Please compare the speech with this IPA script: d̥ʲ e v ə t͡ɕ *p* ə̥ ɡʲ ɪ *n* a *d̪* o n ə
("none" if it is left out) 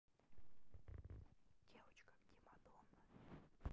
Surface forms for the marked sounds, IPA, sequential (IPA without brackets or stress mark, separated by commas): k, m, d̪